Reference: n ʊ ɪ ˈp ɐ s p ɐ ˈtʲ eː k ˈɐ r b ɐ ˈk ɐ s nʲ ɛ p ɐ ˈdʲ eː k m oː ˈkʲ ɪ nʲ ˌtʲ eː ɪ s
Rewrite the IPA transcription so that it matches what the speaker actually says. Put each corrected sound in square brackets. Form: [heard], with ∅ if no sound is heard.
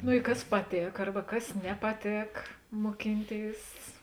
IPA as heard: n ʊ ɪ [ˈk] ɐ s p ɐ ˈtʲ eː k ˈɐ r b ɐ ˈk ɐ s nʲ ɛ p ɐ [ˈtʲ] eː k m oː ˈkʲ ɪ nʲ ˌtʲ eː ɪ s